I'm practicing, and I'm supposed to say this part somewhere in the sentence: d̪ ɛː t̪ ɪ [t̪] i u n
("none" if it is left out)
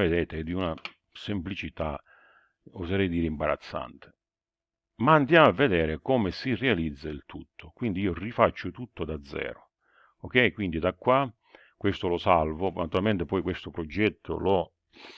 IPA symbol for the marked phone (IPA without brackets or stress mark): d̪